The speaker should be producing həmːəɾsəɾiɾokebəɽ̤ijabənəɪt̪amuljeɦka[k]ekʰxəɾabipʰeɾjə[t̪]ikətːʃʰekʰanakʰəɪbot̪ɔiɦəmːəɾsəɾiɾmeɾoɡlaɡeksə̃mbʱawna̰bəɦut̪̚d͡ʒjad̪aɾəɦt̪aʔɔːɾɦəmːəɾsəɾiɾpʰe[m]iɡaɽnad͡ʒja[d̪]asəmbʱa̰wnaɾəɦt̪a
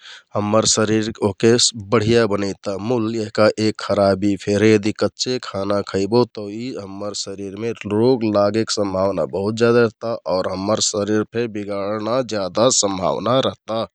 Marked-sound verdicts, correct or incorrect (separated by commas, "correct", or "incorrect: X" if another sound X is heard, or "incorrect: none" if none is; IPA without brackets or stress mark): incorrect: ʔ, incorrect: d̪, incorrect: b, correct